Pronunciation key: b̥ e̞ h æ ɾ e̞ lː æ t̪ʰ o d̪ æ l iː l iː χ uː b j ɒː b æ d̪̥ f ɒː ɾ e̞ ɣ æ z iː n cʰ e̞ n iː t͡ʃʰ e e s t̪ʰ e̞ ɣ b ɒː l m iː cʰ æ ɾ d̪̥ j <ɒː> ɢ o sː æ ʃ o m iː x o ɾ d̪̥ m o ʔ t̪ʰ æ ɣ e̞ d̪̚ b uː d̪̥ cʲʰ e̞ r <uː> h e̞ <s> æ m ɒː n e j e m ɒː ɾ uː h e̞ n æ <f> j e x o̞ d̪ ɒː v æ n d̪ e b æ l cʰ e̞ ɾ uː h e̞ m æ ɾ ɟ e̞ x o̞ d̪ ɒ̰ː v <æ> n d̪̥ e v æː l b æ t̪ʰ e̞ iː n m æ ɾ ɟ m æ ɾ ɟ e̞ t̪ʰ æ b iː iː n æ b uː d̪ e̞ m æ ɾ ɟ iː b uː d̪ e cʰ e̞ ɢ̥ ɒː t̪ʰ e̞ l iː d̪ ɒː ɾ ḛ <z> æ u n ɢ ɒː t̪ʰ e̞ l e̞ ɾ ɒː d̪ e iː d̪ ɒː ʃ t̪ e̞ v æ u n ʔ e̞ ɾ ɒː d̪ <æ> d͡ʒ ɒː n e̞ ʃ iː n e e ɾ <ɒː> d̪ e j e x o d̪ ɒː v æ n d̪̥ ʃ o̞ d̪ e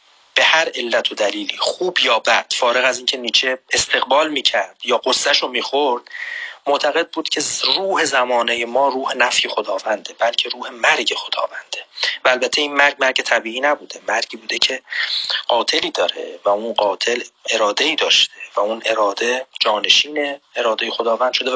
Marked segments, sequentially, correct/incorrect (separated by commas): correct, correct, incorrect, correct, correct, incorrect, incorrect, correct